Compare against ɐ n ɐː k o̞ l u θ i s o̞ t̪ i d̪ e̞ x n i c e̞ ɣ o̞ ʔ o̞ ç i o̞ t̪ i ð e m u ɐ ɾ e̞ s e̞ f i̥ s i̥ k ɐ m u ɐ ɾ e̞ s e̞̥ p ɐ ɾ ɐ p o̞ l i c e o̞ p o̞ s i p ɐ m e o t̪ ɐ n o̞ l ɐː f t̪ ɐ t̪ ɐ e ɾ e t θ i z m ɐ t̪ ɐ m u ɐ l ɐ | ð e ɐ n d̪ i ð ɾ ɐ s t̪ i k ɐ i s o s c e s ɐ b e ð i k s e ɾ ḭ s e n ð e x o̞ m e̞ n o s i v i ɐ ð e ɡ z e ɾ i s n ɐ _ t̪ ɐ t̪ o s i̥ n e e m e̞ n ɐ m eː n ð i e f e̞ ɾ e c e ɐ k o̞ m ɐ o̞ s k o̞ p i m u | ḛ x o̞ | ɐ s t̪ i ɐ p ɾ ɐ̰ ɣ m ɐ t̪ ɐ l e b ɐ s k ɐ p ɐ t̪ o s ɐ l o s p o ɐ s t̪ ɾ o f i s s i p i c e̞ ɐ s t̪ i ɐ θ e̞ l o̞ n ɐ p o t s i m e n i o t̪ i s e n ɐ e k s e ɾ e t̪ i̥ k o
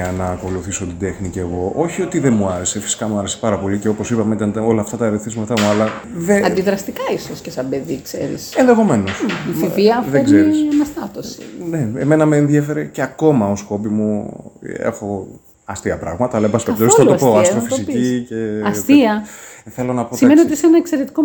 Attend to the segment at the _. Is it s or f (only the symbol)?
s